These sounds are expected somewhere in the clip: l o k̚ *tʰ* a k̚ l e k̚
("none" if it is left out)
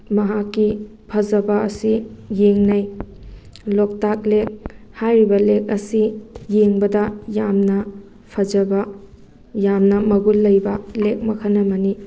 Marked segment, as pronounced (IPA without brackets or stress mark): t